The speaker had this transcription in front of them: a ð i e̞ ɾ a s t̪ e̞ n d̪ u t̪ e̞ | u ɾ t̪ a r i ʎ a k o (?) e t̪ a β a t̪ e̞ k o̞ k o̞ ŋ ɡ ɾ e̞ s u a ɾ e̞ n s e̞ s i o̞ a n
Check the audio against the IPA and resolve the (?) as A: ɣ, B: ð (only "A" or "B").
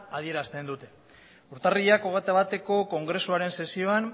A